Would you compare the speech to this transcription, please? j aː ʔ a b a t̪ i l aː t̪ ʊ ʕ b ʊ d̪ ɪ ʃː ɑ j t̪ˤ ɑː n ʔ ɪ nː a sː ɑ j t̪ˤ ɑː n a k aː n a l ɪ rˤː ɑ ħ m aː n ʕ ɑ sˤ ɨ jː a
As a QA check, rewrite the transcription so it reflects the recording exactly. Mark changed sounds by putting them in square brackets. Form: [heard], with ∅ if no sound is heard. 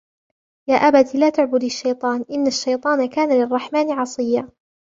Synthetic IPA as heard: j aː ʔ a b a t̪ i l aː t̪ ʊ ʕ b ʊ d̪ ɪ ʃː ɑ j t̪ˤ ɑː n ʔ ɪ nː a [ʃː] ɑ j t̪ˤ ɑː n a k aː n a l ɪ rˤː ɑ ħ m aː n ʕ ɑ sˤ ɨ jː a